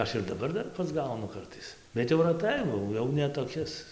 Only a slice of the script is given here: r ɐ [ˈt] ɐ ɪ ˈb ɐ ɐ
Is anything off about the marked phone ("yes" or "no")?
no